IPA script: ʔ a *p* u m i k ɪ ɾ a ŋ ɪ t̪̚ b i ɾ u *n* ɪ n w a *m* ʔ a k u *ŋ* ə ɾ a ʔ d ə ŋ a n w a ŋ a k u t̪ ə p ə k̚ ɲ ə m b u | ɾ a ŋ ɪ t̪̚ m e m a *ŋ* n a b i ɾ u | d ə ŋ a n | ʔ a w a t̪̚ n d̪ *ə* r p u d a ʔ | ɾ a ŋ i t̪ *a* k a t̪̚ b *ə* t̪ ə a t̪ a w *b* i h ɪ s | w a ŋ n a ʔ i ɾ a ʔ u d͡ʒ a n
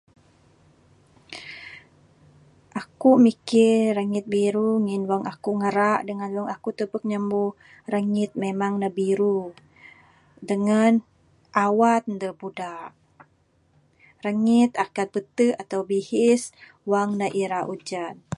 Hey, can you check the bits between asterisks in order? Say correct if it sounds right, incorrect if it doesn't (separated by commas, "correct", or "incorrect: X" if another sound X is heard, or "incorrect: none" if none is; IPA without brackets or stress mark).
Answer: incorrect: k, incorrect: ŋ, incorrect: ŋ, correct, correct, correct, correct, correct, correct